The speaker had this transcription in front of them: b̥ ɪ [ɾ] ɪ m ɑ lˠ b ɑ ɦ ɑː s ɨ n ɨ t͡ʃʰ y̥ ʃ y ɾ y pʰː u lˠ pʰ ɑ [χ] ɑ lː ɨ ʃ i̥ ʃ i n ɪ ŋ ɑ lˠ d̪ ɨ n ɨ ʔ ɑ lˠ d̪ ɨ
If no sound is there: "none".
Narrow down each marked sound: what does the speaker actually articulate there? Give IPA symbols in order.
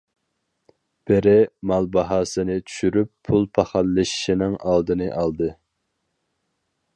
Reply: ɾ, χ

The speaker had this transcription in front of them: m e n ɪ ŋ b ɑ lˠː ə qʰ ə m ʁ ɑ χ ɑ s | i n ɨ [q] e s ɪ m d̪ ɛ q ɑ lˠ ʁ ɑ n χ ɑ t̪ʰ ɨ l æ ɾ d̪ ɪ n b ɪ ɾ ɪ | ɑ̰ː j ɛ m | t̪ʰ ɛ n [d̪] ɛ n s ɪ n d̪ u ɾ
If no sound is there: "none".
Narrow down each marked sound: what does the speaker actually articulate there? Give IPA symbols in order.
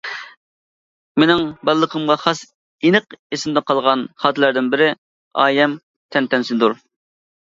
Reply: q, t̪

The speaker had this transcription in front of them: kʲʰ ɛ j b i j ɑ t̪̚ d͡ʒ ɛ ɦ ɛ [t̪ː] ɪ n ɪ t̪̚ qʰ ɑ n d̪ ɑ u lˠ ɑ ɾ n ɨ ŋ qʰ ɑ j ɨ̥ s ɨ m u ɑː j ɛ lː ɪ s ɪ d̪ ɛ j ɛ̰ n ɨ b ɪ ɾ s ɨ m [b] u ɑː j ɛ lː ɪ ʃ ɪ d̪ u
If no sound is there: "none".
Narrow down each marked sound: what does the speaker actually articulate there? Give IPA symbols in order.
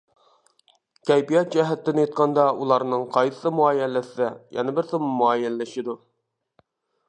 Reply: t̪ː, m

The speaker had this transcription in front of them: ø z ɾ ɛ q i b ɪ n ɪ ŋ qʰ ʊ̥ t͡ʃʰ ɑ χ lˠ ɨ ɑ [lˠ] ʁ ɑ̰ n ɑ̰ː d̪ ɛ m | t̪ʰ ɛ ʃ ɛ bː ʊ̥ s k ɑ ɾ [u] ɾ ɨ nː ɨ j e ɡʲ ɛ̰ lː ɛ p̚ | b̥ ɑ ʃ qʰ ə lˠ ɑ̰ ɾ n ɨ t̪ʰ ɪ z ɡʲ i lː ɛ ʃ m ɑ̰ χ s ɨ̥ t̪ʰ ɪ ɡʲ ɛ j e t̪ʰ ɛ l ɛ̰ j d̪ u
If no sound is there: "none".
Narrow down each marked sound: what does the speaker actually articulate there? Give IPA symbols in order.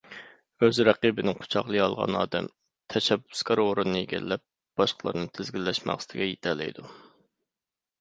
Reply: lˠ, o

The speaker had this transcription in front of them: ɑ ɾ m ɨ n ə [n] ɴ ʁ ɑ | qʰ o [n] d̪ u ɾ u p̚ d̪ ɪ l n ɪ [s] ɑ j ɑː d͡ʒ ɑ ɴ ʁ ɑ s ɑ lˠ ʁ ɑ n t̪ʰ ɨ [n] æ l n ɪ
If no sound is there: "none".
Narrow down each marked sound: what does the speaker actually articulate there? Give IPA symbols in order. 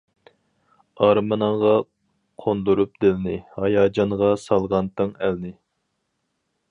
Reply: none, n, h, ŋ

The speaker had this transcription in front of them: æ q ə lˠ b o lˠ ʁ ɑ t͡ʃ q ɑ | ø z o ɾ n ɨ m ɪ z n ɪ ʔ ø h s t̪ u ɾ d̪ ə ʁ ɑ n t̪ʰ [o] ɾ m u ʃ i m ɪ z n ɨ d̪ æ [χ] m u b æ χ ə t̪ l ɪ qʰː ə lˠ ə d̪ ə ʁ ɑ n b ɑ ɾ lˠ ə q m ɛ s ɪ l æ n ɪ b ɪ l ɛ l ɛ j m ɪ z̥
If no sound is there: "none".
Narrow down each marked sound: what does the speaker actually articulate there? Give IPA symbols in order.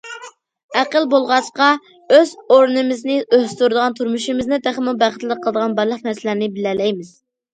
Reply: u, χ

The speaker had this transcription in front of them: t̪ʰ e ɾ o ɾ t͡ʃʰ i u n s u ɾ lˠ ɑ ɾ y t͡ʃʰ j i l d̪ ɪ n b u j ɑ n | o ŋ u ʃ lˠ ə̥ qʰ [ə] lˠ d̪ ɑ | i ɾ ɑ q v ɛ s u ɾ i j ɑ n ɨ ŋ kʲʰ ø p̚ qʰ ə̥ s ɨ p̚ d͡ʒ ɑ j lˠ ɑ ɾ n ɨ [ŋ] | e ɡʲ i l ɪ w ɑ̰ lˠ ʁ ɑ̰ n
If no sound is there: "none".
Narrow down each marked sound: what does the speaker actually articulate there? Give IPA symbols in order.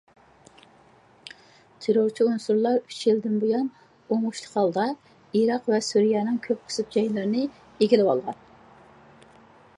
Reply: ɑ, none

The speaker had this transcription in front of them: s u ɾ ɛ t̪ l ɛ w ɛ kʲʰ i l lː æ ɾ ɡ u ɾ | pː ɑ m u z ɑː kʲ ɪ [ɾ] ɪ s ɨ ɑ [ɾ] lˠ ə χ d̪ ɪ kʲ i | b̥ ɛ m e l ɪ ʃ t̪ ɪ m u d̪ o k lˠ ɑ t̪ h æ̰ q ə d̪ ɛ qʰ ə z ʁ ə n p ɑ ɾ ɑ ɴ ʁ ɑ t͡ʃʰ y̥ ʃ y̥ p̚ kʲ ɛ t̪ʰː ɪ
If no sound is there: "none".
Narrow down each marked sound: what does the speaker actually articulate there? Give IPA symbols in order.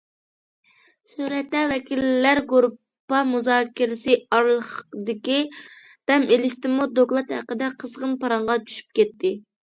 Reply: ɾ, ɾ

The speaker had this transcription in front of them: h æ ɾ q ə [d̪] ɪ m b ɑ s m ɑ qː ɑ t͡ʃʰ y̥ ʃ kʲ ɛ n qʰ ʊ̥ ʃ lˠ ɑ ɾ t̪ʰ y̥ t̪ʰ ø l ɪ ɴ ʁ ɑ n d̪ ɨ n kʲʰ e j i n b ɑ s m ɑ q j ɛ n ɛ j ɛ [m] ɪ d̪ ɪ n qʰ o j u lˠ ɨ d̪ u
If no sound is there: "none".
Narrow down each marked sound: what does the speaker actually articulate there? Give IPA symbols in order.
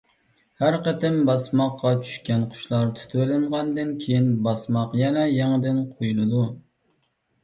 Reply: t̪, ŋ

